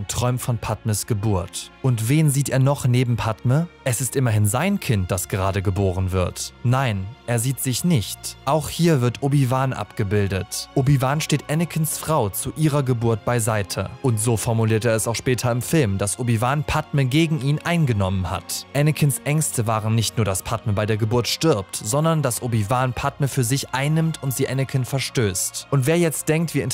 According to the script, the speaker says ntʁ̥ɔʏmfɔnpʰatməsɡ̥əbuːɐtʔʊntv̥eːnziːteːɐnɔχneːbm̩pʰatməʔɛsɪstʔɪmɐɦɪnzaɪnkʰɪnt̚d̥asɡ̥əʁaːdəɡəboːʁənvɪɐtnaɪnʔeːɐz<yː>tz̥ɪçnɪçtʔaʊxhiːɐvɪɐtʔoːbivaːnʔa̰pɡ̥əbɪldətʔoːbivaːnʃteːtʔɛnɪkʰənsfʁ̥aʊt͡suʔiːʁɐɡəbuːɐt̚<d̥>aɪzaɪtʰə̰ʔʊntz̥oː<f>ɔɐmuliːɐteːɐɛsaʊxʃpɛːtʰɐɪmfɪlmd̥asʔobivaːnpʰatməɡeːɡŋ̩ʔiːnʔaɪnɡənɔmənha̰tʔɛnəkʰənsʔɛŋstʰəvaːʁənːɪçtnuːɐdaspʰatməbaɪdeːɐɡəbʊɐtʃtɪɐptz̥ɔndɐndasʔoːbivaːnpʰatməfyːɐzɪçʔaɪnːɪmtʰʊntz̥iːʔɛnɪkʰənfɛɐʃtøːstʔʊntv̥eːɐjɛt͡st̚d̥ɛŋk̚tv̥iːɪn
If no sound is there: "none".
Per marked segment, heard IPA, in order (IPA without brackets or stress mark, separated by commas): iː, b̥, f